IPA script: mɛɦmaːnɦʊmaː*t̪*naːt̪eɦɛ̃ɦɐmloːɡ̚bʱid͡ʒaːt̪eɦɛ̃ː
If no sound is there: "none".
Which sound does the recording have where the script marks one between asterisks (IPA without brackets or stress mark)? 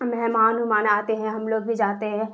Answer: none